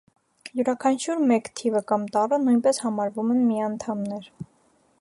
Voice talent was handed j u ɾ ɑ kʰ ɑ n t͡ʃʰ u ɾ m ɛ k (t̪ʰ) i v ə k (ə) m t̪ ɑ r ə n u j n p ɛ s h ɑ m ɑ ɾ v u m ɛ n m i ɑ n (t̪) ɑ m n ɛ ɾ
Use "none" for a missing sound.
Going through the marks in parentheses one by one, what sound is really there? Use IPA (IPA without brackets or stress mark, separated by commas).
t̪ʰ, ɑ, t̪ʰ